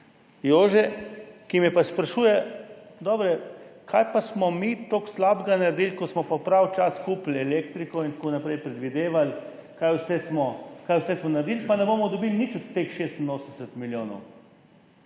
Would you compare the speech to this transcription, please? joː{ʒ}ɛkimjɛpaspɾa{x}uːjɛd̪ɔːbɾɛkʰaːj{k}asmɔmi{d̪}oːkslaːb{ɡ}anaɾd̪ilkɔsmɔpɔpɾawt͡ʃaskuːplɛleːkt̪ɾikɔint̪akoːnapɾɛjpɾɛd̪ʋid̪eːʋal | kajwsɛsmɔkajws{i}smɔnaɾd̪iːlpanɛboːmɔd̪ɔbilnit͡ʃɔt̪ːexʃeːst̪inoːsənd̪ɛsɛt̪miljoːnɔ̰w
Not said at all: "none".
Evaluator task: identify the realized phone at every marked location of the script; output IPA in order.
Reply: ʒ, ʃ, p, t̪, ɡ, ɛ

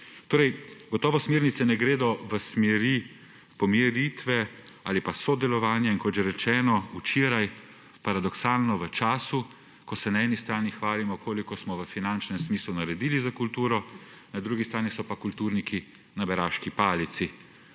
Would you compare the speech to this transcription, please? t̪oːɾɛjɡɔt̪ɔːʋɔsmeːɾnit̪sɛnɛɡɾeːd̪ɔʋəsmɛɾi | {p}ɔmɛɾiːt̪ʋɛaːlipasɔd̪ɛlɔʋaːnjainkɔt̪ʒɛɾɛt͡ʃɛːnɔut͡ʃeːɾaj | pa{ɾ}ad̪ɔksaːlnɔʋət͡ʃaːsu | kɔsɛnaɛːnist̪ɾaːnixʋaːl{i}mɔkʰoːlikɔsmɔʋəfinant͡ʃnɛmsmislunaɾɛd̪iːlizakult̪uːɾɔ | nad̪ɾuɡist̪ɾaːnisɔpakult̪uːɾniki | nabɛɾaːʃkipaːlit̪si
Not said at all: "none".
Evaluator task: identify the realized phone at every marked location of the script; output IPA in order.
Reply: p, ɾ, i

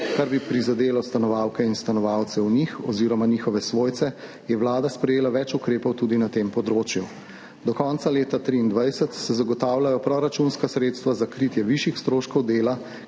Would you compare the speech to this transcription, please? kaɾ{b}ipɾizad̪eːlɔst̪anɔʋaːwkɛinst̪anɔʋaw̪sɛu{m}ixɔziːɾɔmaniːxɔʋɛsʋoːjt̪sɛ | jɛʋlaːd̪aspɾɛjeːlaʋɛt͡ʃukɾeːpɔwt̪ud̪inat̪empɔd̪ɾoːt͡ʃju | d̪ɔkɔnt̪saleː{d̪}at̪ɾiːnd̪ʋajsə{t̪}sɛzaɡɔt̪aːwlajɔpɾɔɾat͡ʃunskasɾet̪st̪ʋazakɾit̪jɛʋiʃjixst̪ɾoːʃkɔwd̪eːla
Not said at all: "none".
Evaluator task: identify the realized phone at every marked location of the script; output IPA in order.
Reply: b, n, t̪, t̪

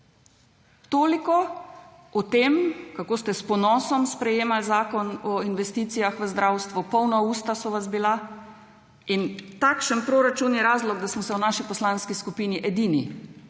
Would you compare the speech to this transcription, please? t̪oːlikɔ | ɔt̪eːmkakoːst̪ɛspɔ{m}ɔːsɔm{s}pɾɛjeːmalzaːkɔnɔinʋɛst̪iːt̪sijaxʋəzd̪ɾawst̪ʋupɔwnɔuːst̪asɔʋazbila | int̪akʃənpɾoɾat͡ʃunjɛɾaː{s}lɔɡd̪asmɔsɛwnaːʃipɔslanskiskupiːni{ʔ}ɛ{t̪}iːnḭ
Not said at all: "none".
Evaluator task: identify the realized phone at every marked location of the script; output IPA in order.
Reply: n, s, z, ʔ, d̪

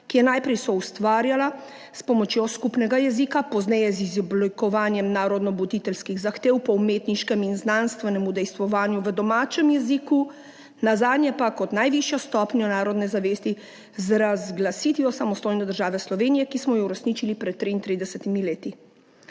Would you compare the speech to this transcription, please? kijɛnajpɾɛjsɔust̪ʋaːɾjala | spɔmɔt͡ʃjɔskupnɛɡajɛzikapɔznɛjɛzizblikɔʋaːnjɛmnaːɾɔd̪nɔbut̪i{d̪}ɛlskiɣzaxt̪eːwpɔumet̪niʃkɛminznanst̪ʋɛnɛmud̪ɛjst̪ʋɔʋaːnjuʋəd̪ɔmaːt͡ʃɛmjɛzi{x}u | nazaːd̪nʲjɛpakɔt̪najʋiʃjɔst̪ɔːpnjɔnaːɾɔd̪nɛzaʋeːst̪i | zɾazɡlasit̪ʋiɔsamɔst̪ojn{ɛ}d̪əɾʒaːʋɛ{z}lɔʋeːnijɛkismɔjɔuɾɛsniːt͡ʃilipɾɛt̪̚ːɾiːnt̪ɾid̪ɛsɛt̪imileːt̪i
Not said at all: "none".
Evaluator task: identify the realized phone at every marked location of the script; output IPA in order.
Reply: t̪, k, ɛ, s

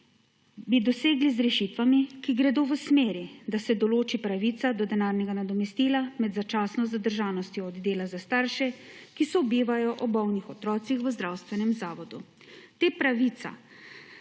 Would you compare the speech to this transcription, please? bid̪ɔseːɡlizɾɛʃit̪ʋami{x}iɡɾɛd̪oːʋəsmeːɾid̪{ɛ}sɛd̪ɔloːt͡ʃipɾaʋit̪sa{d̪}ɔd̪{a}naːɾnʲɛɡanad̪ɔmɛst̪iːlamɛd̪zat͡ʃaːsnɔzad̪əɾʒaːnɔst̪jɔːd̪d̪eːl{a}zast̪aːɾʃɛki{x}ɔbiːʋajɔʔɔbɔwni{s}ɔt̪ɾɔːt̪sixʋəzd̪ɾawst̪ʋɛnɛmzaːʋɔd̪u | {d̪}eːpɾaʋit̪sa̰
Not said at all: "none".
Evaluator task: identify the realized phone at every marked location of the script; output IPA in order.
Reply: k, a, d̪, ɛ, a, s, x, t̪

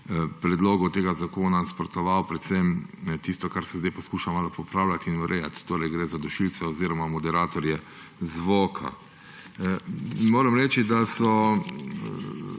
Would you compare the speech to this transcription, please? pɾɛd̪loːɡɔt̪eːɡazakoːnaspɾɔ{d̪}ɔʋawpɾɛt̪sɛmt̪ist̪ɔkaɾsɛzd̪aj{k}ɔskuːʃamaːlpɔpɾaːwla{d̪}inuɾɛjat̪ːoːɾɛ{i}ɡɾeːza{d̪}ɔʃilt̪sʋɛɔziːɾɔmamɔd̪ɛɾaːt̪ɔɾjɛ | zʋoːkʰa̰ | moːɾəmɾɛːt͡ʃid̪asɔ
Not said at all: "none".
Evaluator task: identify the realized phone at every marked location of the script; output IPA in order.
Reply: t̪, p, t̪, j, d̪

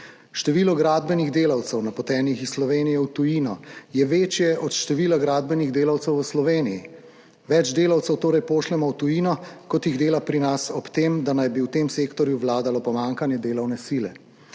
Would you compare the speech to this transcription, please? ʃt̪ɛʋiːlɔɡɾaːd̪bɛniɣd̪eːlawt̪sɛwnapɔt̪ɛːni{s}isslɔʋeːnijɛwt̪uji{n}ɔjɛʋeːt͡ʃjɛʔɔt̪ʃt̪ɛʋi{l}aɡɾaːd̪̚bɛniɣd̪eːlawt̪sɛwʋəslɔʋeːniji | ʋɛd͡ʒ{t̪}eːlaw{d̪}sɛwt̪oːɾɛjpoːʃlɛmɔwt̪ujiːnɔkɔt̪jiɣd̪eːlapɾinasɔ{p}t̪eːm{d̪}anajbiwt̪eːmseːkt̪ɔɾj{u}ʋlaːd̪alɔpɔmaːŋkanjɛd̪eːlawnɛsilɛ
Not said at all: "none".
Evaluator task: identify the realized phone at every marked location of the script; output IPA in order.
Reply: x, n, l, d̪, t̪, p, d̪, u

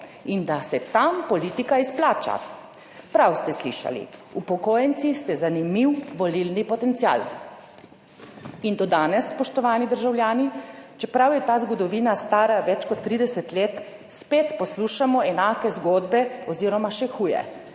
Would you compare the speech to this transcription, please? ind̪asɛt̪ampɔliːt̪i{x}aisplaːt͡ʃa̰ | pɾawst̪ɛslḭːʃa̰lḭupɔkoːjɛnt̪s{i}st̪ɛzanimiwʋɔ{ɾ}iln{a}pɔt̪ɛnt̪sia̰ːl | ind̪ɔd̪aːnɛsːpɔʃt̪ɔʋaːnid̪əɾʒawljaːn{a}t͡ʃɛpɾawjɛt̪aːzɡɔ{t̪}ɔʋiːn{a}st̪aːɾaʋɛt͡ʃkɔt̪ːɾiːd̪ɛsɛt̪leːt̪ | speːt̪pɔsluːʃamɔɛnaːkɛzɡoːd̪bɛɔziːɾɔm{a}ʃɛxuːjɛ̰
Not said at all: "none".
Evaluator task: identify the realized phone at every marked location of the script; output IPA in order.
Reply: k, i, l, i, i, d̪, a, a

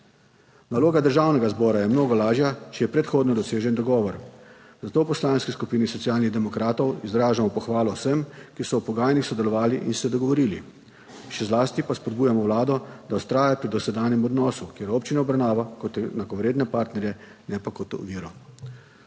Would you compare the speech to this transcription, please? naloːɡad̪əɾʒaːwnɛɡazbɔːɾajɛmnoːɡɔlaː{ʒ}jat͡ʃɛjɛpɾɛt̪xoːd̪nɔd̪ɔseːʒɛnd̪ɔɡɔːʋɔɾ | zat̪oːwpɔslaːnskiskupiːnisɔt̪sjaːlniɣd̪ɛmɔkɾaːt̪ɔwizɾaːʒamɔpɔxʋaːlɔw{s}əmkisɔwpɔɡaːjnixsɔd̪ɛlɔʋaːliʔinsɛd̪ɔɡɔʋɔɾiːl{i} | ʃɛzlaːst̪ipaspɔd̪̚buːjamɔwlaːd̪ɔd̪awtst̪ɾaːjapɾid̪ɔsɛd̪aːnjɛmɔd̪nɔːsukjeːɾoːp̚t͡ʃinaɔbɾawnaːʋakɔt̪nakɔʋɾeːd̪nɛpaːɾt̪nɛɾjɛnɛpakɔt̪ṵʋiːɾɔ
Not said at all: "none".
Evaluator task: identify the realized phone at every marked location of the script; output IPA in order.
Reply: ʒ, s, i

